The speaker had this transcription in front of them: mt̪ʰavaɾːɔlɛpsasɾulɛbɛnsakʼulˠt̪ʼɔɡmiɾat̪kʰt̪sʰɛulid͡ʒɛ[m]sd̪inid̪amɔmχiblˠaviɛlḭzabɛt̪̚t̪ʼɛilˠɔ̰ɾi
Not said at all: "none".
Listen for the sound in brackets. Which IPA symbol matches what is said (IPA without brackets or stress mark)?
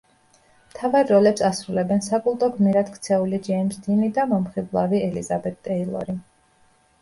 m